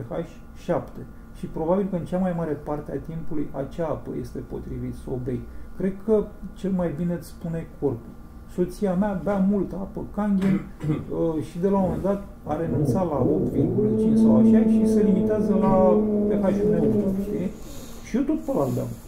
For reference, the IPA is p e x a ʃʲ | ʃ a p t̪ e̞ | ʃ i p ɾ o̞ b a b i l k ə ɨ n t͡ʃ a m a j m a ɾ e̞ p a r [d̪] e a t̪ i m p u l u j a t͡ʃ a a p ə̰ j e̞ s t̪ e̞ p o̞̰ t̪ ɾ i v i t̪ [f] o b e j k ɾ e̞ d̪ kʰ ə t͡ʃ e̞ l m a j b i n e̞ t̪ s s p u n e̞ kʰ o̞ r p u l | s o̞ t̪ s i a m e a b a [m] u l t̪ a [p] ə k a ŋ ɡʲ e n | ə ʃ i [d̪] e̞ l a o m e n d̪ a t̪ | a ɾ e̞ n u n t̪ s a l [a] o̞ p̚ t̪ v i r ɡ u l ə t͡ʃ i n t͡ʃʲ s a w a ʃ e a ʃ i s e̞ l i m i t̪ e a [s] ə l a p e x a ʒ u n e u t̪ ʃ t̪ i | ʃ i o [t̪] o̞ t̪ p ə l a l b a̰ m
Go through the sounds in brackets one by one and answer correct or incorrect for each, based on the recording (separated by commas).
incorrect, incorrect, correct, correct, correct, correct, incorrect, correct